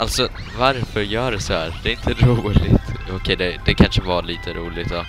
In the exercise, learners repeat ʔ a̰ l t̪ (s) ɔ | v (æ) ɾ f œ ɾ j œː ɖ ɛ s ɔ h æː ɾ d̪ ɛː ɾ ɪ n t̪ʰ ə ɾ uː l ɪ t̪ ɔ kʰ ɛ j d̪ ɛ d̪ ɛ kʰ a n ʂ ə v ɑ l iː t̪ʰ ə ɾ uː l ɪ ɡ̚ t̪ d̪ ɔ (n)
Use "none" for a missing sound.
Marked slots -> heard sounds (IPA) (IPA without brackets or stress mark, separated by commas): s, a, none